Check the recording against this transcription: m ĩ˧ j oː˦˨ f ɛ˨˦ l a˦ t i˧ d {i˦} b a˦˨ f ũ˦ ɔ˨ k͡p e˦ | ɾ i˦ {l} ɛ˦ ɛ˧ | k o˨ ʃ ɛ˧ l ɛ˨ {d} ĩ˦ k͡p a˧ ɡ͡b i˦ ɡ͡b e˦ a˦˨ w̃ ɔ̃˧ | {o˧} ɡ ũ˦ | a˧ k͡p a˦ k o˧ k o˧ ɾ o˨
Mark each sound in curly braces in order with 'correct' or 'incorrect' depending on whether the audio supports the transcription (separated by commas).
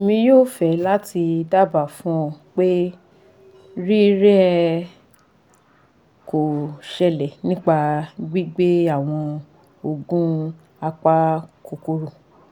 incorrect, incorrect, incorrect, correct